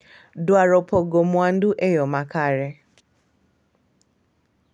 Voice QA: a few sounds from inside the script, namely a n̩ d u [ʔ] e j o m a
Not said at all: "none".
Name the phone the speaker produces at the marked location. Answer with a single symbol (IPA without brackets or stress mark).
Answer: ʔ